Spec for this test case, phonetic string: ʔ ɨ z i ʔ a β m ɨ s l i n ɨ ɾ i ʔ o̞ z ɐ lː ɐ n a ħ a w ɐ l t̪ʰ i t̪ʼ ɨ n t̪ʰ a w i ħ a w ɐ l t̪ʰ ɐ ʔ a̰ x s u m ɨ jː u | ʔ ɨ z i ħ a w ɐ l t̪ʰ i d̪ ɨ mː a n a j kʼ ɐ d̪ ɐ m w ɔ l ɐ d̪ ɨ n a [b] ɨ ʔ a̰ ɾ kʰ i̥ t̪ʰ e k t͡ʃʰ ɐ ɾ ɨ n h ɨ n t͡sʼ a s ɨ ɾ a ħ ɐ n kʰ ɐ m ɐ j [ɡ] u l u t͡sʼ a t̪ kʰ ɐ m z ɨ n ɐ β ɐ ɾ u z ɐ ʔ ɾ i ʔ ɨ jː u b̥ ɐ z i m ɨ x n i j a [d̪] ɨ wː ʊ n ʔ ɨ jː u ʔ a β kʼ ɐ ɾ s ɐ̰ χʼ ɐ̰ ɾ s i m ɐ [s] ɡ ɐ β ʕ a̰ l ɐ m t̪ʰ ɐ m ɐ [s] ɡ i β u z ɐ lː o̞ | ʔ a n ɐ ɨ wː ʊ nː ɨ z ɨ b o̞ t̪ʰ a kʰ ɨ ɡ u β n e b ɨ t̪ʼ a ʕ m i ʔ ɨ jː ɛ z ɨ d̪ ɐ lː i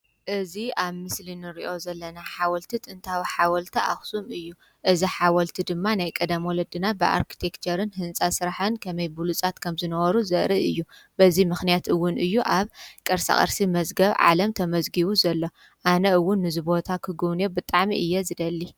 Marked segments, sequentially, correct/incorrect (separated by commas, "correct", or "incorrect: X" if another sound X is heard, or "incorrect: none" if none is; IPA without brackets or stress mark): correct, incorrect: b, incorrect: t̪, incorrect: z, incorrect: z